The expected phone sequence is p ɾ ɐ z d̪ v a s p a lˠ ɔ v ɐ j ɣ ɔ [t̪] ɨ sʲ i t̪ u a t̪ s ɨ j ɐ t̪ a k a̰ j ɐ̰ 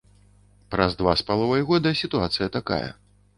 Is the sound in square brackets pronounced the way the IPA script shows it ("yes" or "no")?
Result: no